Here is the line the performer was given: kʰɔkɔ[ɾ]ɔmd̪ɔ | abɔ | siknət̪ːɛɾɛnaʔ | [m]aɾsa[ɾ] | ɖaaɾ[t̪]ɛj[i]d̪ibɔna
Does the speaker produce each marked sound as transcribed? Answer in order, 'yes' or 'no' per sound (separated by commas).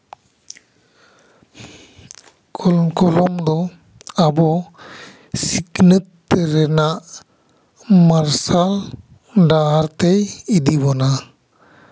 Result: no, yes, no, yes, yes